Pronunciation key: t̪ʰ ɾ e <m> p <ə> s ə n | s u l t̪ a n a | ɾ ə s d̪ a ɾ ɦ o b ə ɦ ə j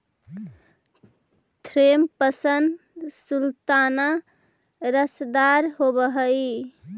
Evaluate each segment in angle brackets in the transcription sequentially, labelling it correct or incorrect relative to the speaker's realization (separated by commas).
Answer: correct, correct